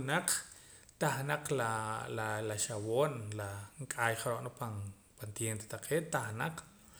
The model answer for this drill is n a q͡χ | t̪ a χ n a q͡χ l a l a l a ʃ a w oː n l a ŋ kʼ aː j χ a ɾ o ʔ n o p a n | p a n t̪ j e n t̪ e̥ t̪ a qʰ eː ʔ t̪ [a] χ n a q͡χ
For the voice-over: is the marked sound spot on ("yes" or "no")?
yes